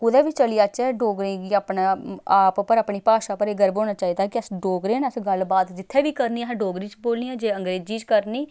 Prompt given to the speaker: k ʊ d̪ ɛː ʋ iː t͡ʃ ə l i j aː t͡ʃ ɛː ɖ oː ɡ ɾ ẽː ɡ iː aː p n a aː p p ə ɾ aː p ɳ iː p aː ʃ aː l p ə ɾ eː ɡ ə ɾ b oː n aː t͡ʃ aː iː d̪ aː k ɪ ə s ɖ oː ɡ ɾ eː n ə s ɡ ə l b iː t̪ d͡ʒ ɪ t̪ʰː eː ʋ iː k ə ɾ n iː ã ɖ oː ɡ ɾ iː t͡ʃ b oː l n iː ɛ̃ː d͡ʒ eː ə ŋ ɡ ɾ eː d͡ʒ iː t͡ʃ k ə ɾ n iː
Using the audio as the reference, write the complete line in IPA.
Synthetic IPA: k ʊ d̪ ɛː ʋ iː t͡ʃ ə l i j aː t͡ʃ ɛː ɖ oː ɡ ɾ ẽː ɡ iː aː p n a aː p p ə ɾ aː p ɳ iː p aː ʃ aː p ə ɾ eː ɡ ə ɾ b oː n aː t͡ʃ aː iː d̪ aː k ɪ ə s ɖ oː ɡ ɾ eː n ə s ɡ ə l b aː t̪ d͡ʒ ɪ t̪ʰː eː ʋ iː k ə ɾ n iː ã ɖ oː ɡ ɾ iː t͡ʃ b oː l n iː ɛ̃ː d͡ʒ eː ə ŋ ɡ ɾ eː d͡ʒ iː t͡ʃ k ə ɾ n iː